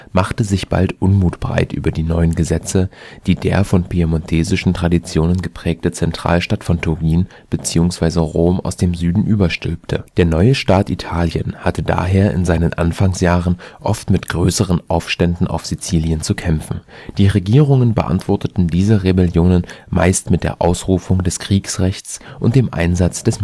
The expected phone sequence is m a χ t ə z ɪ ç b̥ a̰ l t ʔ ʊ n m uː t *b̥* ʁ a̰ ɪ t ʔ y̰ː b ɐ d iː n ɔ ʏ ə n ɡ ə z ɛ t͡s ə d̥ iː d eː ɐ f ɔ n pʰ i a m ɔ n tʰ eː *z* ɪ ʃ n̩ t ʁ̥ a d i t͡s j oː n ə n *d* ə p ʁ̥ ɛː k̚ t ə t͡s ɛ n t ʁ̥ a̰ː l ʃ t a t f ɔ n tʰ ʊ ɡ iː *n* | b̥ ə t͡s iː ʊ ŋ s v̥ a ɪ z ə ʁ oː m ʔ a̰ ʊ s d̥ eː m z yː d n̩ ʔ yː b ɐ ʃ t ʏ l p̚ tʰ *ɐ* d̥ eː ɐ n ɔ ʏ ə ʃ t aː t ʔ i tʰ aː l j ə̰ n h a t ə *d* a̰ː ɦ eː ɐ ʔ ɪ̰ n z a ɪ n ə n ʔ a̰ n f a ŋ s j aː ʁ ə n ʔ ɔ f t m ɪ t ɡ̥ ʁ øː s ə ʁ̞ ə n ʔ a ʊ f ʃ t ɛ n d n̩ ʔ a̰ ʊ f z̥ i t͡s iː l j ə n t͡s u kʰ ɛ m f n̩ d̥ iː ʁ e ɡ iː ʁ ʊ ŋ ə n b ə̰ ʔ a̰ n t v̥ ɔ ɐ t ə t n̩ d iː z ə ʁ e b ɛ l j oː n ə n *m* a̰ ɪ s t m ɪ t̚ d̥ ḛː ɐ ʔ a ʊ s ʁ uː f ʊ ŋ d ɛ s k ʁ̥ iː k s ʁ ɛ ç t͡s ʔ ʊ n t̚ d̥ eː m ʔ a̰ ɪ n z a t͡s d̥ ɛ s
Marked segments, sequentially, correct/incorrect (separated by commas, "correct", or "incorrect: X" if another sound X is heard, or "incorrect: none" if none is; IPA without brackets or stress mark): correct, correct, incorrect: ɡ, correct, incorrect: ə, correct, correct